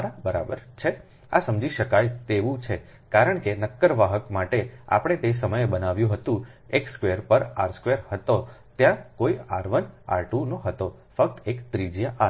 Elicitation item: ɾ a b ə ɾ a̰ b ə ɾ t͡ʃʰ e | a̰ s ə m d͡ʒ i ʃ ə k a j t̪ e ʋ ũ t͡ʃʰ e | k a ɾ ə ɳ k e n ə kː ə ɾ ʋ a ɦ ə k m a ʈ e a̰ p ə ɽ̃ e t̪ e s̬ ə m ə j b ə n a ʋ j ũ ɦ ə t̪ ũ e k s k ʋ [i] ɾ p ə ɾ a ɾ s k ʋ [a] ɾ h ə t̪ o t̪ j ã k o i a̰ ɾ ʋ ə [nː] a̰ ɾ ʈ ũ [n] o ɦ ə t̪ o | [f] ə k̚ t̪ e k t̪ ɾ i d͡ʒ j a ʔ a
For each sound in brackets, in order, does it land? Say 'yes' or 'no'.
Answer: no, no, no, yes, yes

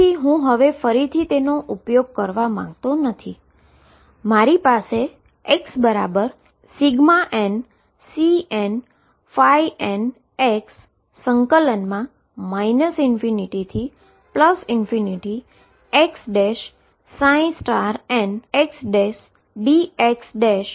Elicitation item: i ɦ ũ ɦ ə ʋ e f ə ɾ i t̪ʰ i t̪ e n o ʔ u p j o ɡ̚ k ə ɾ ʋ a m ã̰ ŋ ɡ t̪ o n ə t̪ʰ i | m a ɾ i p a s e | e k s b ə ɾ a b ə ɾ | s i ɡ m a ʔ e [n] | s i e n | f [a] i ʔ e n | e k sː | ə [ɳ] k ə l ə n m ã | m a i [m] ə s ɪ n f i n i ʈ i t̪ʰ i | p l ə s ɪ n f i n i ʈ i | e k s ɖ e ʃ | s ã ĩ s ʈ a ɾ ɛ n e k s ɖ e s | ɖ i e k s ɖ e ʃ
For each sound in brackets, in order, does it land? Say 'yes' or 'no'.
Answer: yes, yes, no, no

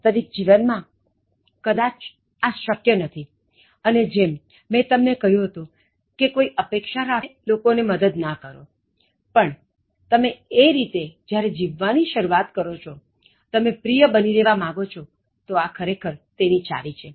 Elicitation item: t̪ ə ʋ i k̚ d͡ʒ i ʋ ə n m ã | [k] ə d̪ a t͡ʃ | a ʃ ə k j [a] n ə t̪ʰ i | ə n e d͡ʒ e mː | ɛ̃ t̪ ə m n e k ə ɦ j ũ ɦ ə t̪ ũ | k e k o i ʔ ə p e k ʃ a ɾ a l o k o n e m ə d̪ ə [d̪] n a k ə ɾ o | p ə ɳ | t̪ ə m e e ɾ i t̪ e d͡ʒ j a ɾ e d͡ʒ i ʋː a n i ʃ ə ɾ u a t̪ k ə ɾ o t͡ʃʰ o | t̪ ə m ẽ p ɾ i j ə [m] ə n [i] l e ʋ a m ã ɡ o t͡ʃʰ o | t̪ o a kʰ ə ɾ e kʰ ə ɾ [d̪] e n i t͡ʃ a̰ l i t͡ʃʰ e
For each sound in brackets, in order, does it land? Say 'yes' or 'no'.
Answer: yes, no, yes, no, yes, no

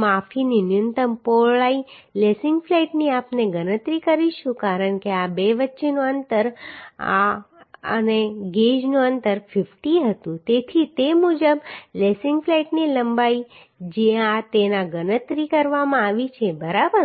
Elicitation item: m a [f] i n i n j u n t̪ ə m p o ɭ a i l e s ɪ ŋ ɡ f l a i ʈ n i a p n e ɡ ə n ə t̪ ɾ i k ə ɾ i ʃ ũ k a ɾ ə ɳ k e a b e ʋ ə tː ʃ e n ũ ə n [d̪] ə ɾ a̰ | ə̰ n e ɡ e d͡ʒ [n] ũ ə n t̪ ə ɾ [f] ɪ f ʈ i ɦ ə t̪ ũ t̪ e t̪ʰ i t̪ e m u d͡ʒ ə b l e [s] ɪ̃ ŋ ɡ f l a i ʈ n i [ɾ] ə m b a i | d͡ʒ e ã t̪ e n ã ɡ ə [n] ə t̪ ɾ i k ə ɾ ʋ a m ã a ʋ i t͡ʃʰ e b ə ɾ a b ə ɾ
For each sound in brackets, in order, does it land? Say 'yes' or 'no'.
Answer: yes, no, yes, yes, yes, no, yes

